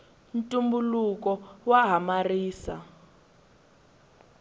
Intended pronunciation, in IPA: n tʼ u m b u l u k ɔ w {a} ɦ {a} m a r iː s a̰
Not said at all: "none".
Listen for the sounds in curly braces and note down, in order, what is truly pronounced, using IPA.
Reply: a, a

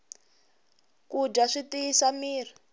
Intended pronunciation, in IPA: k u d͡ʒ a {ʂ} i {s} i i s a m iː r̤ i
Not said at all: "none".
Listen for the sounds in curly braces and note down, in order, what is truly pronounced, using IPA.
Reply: ʂ, t

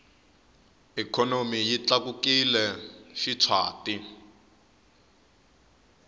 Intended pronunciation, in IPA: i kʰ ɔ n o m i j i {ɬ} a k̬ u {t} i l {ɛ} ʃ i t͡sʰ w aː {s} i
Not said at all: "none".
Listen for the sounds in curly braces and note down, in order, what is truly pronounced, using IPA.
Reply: t͡ɬ, k, ɛ, t

